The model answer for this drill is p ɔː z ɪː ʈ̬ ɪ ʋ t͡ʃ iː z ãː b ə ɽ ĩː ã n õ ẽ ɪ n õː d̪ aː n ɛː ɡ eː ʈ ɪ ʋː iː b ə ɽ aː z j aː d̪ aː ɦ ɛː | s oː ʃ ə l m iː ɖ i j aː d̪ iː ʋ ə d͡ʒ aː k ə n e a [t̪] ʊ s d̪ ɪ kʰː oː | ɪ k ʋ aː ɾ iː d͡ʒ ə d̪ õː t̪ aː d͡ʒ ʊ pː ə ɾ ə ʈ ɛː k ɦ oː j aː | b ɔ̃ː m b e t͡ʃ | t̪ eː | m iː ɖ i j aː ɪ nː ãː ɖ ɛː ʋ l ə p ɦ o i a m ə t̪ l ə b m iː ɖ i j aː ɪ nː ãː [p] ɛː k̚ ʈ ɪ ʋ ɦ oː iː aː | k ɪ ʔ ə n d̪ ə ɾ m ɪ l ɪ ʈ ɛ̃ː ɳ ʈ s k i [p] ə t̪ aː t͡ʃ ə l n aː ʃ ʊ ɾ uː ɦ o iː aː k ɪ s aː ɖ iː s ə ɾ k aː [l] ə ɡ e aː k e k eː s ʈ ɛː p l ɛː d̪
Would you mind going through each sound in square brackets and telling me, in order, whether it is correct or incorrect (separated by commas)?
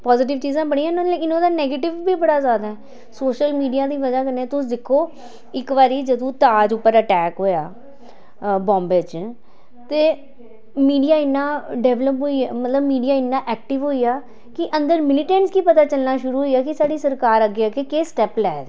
correct, incorrect, correct, incorrect